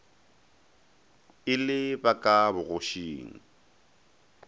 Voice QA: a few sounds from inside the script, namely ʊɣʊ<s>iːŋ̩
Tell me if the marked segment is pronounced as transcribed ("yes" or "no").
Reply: no